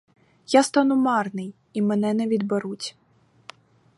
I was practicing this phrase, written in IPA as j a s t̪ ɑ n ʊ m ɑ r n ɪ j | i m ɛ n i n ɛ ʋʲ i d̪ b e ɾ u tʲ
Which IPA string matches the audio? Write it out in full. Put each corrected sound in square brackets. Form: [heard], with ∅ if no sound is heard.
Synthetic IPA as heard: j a s t̪ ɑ n ʊ m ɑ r n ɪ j | i m ɛ n [ɛ] n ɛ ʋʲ i d̪ b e ɾ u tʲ